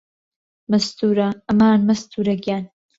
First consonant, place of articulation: labial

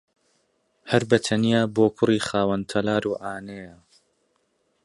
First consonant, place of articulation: glottal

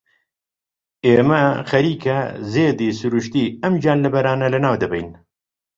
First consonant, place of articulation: labial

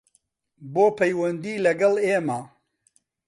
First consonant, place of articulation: labial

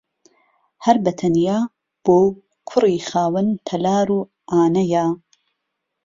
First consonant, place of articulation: glottal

